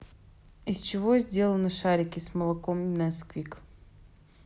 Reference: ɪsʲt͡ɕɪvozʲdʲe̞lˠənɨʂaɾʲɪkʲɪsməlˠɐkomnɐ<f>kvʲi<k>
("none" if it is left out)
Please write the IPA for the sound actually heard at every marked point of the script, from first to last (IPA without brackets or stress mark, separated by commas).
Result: s, k